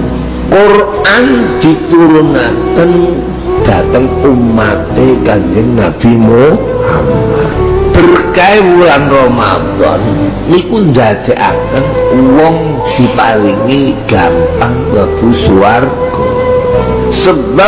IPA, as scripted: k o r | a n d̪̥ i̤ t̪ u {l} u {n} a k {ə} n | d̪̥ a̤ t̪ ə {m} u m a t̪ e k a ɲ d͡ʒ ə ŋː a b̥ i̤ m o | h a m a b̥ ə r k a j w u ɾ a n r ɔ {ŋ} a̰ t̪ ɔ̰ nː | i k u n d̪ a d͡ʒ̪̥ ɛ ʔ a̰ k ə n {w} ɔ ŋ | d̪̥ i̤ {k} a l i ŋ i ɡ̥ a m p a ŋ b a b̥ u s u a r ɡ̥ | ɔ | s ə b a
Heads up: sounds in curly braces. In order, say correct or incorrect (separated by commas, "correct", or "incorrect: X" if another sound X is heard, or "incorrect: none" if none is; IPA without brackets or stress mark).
incorrect: ɾ, correct, correct, incorrect: ŋ, incorrect: m, correct, incorrect: p